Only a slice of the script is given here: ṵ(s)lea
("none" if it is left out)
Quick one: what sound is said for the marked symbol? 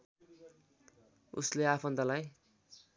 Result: s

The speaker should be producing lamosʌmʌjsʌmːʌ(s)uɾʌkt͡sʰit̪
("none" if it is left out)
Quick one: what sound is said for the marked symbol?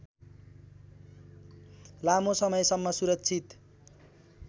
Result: s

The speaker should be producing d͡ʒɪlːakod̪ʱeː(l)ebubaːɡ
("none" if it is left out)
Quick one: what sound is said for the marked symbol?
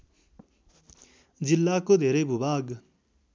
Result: ɾ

